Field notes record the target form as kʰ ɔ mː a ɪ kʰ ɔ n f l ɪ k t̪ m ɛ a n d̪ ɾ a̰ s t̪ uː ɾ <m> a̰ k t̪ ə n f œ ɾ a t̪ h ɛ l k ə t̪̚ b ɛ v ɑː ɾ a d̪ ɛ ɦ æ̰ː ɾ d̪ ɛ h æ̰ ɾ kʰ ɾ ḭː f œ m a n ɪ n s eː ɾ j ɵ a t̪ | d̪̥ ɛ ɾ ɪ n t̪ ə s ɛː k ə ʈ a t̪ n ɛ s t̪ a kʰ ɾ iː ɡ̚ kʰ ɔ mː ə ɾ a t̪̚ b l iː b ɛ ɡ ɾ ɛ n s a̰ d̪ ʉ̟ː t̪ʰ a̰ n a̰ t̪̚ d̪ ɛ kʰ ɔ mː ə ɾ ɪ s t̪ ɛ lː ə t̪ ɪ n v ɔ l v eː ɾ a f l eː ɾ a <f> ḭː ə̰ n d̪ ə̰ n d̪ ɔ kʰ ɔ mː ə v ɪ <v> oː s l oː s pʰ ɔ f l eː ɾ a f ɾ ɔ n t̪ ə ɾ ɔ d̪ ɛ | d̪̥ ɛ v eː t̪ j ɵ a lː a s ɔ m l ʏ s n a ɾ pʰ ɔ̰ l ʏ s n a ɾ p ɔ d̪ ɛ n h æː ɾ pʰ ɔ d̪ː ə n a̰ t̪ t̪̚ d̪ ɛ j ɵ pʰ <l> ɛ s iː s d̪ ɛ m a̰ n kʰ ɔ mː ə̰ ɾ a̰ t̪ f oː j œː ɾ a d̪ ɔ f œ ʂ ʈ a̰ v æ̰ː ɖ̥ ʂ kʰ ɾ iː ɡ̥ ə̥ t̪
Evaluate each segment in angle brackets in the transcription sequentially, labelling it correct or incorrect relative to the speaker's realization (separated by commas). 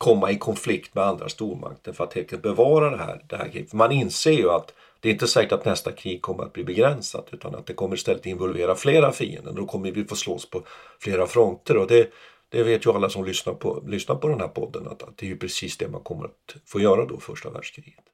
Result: correct, correct, incorrect, incorrect